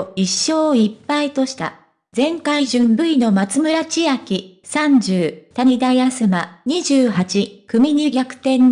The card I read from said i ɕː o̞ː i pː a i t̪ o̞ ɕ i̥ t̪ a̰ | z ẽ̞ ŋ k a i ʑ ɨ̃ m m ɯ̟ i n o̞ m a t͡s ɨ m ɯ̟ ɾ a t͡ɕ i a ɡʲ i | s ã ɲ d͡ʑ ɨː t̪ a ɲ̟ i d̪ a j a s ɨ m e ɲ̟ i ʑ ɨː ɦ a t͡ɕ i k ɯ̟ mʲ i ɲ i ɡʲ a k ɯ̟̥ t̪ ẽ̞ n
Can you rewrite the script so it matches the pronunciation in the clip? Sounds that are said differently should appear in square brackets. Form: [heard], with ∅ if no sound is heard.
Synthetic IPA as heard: i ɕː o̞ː i pː a i t̪ o̞ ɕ i̥ t̪ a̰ | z ẽ̞ ŋ k a i ʑ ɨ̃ m [b] ɯ̟ i n o̞ m a t͡s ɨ m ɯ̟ ɾ a t͡ɕ i a [kʲ] i | s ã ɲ d͡ʑ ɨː t̪ a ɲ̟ i d̪ a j a s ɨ m [a] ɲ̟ i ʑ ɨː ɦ a t͡ɕ i k ɯ̟ mʲ i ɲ i ɡʲ a k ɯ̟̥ t̪ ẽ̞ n